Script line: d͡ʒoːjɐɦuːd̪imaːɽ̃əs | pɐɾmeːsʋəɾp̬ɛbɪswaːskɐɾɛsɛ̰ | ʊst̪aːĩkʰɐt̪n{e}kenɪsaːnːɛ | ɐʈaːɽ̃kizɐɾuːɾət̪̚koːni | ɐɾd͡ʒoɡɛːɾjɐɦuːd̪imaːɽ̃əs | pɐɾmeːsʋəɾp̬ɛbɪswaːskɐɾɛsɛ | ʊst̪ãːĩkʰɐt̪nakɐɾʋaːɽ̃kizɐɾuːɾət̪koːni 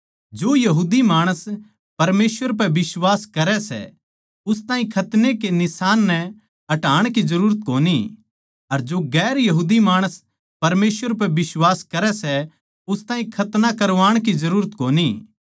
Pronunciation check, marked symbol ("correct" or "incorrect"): correct